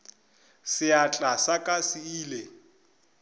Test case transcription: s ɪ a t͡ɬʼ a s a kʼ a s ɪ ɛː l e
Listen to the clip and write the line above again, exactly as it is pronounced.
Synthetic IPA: s ɪ a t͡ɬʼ a s a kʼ a s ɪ iː l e